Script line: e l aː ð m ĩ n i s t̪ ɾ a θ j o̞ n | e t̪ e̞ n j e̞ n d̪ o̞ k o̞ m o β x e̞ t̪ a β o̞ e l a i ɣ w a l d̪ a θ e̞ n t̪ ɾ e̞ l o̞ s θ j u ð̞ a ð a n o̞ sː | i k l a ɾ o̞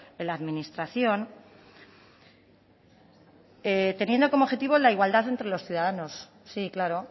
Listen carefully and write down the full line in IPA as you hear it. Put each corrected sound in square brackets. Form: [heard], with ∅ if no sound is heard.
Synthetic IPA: e l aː ð m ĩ n i s t̪ ɾ a θ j o̞ n | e t̪ e̞ n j e̞ n d̪ o̞ k o̞ m o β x e̞ t̪ [i] β o̞ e l a i ɣ w a l d̪ a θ e̞ n t̪ ɾ e̞ l o̞ s θ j u ð̞ a ð a n o̞ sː | i k l a ɾ o̞